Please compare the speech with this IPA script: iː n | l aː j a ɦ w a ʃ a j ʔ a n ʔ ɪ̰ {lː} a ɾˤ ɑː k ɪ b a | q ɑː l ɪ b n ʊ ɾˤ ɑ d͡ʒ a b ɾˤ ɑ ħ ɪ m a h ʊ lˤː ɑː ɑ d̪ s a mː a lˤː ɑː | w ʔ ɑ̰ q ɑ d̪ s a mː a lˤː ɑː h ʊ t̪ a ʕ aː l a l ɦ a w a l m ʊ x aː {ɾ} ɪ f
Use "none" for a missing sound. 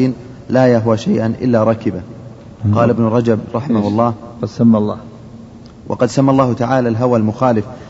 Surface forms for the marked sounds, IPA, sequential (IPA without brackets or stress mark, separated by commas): lː, l